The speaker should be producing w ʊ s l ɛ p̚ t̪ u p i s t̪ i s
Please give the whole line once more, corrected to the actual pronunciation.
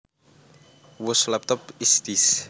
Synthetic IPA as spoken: w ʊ s l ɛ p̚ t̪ ɔ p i s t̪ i s